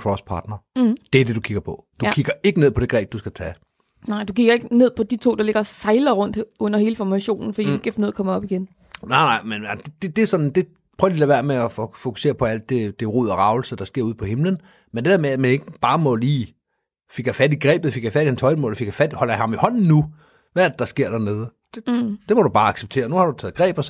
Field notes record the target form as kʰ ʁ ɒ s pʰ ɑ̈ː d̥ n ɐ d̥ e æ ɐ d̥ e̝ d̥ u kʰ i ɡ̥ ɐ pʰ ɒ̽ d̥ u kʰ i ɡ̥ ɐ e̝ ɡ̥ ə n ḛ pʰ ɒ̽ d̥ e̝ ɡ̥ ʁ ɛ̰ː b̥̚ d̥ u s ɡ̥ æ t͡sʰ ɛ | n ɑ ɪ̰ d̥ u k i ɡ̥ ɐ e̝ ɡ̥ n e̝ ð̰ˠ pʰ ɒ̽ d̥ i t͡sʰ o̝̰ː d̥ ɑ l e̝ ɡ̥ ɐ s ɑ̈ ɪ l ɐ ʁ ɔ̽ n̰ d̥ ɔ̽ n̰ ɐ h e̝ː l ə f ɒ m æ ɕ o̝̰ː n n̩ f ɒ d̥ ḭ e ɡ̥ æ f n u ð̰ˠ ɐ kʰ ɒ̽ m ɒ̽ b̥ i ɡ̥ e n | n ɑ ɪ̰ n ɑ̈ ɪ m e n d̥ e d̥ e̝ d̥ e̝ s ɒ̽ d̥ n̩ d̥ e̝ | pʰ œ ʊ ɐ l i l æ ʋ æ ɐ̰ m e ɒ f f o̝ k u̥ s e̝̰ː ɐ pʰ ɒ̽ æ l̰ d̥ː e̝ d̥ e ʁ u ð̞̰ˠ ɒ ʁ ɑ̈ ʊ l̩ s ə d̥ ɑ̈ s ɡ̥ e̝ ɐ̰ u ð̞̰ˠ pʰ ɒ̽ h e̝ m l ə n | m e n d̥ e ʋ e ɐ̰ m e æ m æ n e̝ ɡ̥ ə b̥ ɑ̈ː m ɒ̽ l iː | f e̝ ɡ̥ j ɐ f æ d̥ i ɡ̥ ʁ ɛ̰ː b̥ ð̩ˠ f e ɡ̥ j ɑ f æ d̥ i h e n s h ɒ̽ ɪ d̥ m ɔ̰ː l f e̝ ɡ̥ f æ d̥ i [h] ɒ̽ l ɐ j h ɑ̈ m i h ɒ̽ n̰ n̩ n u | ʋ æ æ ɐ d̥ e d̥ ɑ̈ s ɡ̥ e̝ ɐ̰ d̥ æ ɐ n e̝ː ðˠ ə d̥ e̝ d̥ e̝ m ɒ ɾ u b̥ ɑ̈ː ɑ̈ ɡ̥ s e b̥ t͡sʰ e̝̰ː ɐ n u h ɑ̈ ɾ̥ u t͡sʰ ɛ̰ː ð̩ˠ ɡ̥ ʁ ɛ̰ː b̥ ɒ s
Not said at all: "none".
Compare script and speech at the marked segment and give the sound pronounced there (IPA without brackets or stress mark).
h